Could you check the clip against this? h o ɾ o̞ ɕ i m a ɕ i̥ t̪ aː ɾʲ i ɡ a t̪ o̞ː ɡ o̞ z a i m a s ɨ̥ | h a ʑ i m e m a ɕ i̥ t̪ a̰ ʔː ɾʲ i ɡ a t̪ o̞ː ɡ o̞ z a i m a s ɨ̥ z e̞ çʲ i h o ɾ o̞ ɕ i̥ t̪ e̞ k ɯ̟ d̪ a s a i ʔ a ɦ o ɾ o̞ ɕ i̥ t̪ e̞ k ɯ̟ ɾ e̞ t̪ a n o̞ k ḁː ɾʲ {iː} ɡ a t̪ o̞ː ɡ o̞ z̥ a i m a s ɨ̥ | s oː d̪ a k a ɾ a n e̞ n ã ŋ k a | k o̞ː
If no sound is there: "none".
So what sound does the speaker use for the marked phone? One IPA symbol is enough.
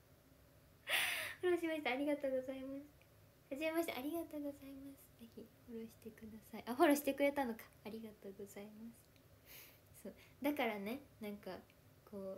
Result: i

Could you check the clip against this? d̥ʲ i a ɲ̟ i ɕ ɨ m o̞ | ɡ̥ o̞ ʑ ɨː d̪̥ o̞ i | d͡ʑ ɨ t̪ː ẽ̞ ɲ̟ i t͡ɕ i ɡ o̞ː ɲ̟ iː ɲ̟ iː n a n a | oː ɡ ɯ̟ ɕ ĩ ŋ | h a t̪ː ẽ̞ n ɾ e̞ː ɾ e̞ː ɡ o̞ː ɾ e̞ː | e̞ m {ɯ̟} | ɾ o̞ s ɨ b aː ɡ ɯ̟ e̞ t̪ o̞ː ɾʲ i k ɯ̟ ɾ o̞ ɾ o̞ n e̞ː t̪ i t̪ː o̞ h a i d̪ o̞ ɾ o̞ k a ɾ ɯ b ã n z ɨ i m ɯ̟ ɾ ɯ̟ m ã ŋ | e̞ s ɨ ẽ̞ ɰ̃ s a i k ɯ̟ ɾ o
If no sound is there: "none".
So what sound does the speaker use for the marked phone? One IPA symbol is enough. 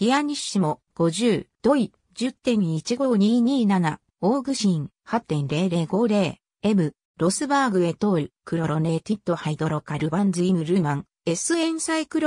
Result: ɯ̟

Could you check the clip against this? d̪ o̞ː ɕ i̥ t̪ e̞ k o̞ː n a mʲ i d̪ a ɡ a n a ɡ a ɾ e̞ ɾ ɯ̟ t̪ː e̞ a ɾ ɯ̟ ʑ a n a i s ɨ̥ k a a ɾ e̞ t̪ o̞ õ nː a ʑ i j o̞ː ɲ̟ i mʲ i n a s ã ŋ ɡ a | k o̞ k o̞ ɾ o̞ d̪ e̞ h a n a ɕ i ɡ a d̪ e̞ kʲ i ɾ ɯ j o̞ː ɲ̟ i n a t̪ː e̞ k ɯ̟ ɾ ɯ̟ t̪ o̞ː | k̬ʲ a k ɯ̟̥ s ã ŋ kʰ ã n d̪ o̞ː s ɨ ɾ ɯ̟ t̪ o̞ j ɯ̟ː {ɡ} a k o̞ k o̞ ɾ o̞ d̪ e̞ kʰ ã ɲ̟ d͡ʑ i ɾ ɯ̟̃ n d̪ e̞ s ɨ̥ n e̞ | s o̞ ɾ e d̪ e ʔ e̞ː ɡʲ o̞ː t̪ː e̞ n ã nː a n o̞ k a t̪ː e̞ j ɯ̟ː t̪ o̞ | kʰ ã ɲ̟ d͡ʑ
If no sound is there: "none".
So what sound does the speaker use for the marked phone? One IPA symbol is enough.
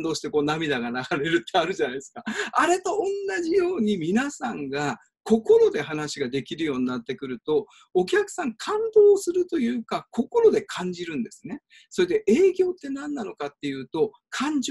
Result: k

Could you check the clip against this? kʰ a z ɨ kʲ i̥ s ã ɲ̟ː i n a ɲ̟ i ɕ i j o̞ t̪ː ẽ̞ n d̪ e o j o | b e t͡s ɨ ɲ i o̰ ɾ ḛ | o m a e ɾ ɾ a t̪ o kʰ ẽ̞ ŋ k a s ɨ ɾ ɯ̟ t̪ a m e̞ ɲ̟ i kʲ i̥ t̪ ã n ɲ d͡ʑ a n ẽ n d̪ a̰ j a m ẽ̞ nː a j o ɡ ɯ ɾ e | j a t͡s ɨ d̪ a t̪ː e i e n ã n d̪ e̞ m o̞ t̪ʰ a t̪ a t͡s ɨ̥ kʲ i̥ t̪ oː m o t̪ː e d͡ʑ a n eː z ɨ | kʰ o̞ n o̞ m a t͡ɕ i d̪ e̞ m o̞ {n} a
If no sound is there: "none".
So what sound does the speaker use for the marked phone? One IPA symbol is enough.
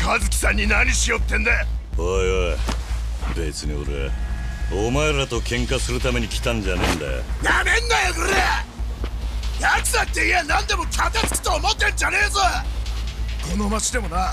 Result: n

